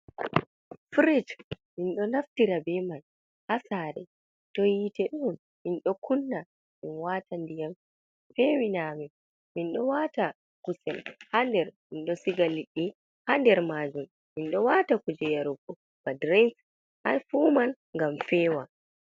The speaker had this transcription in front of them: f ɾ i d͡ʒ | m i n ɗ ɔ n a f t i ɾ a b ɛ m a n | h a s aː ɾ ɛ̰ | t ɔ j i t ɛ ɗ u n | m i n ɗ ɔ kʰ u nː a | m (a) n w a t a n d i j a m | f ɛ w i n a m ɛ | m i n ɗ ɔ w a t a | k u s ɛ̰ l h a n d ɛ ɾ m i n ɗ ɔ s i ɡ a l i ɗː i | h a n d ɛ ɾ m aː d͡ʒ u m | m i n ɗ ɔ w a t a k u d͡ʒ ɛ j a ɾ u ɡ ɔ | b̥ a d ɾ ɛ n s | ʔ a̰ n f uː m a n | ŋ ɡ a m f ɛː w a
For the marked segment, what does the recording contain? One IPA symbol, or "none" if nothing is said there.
i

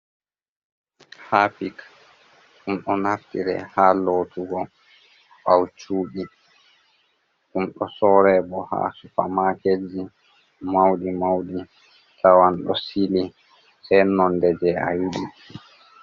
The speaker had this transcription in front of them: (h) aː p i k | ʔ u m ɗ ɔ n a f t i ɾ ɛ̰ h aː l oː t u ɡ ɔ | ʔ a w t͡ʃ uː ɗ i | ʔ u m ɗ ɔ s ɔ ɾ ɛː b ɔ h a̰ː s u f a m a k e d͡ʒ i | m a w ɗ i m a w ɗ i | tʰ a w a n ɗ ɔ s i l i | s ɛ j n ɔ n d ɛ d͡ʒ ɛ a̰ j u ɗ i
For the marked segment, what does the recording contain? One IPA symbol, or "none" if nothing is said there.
h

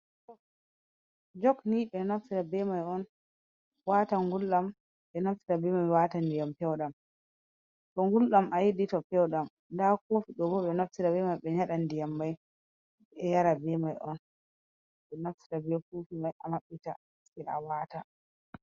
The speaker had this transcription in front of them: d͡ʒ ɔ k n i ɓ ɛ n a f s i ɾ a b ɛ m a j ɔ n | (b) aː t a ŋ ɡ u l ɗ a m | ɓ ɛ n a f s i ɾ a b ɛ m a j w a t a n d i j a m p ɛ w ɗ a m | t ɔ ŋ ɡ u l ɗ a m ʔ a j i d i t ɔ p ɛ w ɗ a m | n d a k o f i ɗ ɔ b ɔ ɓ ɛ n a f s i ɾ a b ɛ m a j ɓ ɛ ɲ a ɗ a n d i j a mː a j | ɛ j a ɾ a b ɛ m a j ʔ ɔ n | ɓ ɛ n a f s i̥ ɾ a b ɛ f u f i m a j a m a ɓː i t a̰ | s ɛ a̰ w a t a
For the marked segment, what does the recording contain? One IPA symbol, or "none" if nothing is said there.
w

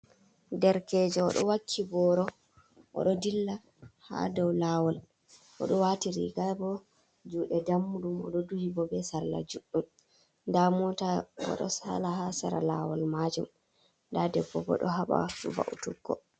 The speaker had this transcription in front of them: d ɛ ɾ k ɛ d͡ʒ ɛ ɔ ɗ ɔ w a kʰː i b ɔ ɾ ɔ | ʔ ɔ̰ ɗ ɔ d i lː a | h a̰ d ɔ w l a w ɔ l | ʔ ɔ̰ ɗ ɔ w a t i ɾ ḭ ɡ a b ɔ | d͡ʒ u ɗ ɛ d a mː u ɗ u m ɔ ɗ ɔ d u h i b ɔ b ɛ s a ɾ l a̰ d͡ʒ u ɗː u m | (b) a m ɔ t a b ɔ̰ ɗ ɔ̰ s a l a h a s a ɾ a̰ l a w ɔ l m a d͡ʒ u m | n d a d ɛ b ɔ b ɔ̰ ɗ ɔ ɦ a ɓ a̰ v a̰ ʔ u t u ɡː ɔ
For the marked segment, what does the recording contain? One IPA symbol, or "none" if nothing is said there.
d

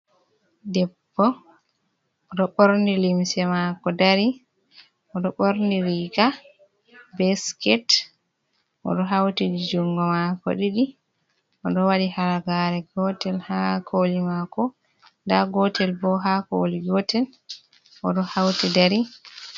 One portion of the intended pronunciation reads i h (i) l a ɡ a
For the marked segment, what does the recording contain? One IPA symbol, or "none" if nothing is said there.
a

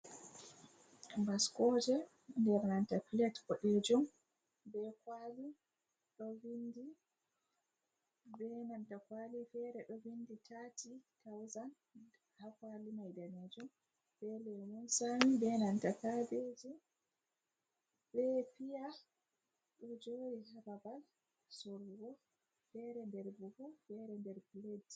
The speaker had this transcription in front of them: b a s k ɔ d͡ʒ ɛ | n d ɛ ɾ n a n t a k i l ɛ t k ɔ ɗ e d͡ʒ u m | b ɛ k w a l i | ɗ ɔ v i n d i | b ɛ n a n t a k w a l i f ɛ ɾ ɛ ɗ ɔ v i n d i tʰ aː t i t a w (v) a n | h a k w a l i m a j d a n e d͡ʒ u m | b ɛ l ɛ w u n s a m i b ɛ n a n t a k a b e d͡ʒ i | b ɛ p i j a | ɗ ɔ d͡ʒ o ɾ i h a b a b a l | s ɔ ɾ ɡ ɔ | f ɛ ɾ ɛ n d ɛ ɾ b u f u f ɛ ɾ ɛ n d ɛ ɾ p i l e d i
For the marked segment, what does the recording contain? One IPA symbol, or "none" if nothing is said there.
z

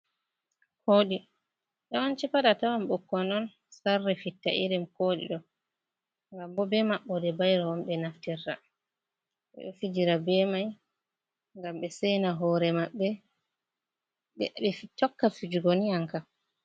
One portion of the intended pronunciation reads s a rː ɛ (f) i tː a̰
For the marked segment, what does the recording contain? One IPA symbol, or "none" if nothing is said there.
f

